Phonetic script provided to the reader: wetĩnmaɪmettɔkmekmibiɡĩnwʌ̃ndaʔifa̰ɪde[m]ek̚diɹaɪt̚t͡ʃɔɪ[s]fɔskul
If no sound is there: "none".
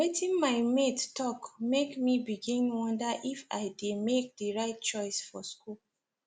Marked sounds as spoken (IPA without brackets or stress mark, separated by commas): m, s